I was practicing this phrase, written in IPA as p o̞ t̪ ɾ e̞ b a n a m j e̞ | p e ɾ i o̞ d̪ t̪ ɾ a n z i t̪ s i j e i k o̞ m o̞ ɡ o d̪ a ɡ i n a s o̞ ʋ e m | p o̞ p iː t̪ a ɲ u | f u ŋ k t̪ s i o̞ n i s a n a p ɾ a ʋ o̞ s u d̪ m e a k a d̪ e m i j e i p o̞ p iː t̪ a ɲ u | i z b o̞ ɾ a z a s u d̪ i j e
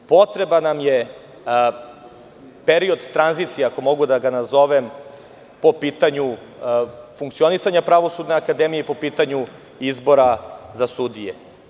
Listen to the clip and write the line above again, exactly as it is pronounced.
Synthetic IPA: p o̞ t̪ ɾ e̞ b a n a m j e̞ | p e ɾ i o̞ d̪ t̪ ɾ a n z i t̪ s i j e a k o̞ m o̞ ɡ u d̪ a ɡ a n a z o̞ ʋ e m | p o̞ p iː t̪ a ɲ u | f u ŋ k t̪ s i o̞ n i s a ɲ a p ɾ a ʋ o̞ s u d̪ n e a k a d̪ e m i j e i p o̞ p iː t̪ a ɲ u | i z b o̞ ɾ a z a s u d̪ i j e